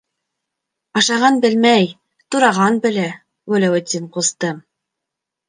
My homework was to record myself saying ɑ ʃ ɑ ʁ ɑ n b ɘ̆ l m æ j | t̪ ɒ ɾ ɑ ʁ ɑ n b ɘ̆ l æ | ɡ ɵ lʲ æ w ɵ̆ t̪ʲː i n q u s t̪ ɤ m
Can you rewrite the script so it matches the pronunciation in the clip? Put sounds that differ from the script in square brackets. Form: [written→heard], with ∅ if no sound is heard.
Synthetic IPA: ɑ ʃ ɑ ʁ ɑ n b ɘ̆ l m æ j | t̪ [ɒ→u] ɾ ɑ ʁ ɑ n b ɘ̆ l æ | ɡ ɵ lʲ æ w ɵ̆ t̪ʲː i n q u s t̪ ɤ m

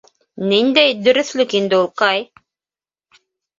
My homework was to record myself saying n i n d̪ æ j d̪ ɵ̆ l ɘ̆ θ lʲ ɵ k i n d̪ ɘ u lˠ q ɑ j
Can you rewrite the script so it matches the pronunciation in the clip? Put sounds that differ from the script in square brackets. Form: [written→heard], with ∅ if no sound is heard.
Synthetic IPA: n i n d̪ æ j d̪ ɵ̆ [l→ɾ] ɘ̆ θ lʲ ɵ k i n d̪ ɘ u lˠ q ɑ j

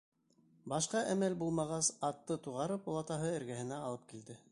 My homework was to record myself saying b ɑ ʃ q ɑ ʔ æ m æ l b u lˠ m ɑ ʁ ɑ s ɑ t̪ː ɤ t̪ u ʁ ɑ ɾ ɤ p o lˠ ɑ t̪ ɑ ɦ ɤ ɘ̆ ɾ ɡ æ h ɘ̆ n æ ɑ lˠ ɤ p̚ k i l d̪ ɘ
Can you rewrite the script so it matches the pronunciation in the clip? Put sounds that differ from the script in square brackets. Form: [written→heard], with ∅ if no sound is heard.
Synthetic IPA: b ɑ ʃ q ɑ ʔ æ m æ l b u lˠ m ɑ ʁ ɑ s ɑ t̪ː ɤ t̪ u ʁ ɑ ɾ ɤ p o lˠ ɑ t̪ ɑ ɦ ɤ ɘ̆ ɾ ɡ æ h ɘ̆ n æ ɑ lˠ ɤ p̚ k i l d̪ ɘ

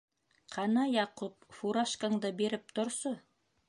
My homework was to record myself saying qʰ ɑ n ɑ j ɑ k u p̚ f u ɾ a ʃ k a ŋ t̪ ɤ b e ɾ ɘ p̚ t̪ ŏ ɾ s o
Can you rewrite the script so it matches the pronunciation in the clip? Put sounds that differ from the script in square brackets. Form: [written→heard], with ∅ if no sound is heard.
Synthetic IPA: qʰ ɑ n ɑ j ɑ [k→q] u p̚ f u ɾ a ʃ k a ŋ [t̪→d̪] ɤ b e ɾ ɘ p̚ t̪ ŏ ɾ s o

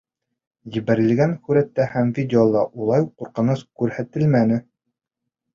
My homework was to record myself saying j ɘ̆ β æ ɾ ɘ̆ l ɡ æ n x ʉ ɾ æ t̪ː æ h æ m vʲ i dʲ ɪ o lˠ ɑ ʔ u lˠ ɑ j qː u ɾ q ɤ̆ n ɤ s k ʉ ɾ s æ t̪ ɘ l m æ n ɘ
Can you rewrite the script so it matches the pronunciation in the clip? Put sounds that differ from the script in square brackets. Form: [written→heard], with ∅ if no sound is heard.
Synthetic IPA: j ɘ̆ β æ ɾ ɘ̆ l ɡ æ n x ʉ ɾ æ t̪ː æ h æ m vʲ i dʲ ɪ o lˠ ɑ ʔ u lˠ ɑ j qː u ɾ q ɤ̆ n ɤ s k ʉ ɾ [s→h] æ t̪ ɘ l m æ n ɘ

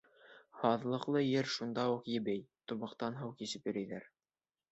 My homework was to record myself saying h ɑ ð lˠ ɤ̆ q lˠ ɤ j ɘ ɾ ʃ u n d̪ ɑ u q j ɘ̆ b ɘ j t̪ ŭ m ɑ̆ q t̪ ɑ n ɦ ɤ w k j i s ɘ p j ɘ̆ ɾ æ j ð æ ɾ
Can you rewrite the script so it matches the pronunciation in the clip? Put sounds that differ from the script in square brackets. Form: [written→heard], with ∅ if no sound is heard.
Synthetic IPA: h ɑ ð lˠ ɤ̆ q lˠ ɤ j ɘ ɾ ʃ u n d̪ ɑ u q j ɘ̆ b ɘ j t̪ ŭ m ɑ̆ q t̪ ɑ n ɦ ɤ w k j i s ɘ p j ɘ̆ ɾ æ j ð æ ɾ

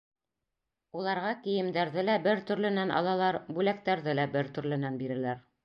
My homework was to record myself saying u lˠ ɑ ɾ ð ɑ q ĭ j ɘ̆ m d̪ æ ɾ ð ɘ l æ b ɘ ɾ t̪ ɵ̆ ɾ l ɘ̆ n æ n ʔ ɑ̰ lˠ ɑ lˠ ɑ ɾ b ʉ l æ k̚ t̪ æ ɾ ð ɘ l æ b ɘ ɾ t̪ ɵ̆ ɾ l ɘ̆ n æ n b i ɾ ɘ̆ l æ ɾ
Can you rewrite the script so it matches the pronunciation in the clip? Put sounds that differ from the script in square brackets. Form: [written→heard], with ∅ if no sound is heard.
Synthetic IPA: u lˠ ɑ ɾ [ð→ʁ] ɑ [q→k] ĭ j ɘ̆ m d̪ æ ɾ ð ɘ l æ b ɘ ɾ t̪ ɵ̆ ɾ l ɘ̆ n æ n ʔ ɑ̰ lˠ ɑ lˠ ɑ ɾ b ʉ l æ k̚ t̪ æ ɾ ð ɘ l æ b ɘ ɾ t̪ ɵ̆ ɾ l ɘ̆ n æ n b i ɾ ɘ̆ l æ ɾ

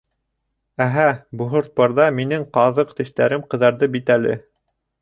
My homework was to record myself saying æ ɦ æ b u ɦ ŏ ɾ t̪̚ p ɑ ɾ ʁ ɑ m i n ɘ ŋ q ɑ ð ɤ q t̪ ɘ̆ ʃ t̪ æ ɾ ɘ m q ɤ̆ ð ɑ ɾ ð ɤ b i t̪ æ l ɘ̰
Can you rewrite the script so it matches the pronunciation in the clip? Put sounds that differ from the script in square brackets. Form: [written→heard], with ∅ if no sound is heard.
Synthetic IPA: æ ɦ æ b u ɦ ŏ ɾ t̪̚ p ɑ ɾ [ʁ→ð] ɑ m i n ɘ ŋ q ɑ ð ɤ q t̪ ɘ̆ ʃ t̪ æ ɾ ɘ m q ɤ̆ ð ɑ ɾ ð ɤ b i t̪ æ l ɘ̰

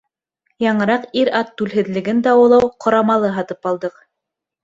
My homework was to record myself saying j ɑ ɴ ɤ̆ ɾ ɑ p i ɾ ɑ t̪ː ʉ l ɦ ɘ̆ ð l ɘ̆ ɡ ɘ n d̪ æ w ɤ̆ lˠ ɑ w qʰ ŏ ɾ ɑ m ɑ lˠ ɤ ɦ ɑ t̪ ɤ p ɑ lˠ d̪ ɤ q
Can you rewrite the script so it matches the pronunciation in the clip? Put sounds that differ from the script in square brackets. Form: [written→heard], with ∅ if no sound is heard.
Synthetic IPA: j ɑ ɴ ɤ̆ ɾ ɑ [p→q] i ɾ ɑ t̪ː ʉ l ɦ ɘ̆ ð l ɘ̆ ɡ ɘ n d̪ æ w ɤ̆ lˠ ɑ w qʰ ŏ ɾ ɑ m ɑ lˠ ɤ ɦ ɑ t̪ ɤ p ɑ lˠ d̪ ɤ q

